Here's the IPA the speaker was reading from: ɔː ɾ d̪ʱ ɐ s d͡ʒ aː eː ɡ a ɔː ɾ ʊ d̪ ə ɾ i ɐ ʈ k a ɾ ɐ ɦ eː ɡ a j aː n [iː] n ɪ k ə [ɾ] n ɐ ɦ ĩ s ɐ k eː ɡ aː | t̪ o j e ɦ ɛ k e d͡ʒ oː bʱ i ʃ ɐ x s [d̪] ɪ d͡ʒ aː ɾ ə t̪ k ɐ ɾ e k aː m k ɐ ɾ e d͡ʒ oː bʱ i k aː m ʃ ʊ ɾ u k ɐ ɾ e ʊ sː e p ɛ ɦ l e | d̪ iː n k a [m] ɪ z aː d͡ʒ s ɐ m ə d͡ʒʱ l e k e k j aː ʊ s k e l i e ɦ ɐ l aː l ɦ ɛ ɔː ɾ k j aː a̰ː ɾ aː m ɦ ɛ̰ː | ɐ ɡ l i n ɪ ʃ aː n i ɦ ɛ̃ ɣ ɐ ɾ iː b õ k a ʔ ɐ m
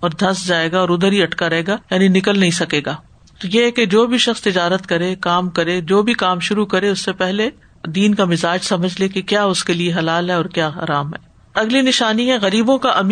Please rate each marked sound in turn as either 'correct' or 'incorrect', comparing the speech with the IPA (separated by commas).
incorrect, incorrect, incorrect, correct